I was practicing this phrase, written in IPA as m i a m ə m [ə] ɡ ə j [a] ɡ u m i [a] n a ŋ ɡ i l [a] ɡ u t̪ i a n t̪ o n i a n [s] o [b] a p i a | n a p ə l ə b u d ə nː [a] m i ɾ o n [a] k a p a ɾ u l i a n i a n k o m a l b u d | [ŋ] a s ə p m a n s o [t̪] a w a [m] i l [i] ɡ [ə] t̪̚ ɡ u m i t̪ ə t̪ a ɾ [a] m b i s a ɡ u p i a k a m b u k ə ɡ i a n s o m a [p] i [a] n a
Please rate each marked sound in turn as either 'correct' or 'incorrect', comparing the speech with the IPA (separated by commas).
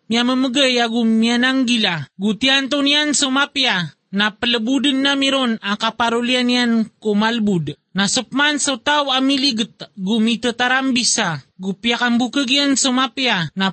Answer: correct, correct, correct, correct, correct, incorrect, correct, correct, incorrect, correct, correct, correct, correct, correct, correct, correct